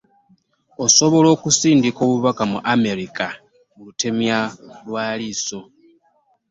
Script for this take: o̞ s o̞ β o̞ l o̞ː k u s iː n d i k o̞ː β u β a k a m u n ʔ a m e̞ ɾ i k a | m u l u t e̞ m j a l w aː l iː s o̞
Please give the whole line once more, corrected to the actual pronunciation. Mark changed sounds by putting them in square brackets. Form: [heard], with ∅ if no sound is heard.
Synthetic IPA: o̞ s o̞ β o̞ l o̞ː k u s iː n d i k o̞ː β u β a k a m u [∅] ʔ a m e̞ ɾ i k a | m u l u t e̞ m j a l w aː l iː s o̞